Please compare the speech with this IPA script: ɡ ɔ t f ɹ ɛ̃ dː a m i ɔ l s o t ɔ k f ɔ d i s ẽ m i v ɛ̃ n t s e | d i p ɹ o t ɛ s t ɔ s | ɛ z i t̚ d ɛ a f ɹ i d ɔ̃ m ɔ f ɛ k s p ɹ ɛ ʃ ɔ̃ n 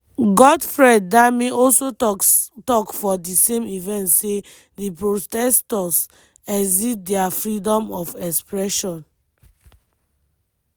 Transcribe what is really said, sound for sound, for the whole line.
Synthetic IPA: ɡ ɔ d f ɹ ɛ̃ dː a m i ɔ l s o t ɔ k f ɔ d i s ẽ m i v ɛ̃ n t s e | d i p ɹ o t ɛ s t ɔ s | ɛ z i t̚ d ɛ a f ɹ i d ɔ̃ m ɔ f ɛ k s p ɹ ɛ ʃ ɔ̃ n